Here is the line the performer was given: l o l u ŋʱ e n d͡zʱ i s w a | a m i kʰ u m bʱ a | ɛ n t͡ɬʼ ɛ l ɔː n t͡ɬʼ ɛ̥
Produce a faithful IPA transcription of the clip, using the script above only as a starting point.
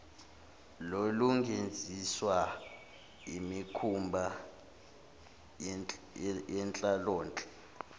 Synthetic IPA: l o l u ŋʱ e n d͡zʱ i s w a | i m i kʰ u m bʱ a | ɛ n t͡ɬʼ a l ɔː n t͡ɬʼ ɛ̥